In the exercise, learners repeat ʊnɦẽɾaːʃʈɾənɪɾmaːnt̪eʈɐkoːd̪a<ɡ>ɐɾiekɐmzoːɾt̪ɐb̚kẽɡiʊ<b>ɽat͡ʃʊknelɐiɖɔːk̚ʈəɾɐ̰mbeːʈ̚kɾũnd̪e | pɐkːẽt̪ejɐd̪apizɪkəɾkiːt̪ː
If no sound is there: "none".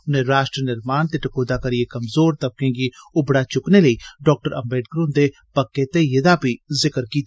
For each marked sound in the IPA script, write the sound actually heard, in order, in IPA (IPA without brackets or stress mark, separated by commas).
k, b